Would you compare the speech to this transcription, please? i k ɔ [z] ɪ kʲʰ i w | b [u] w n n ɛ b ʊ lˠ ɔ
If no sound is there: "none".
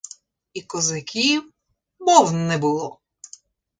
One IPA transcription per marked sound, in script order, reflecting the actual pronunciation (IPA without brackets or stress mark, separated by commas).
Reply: z, ɔ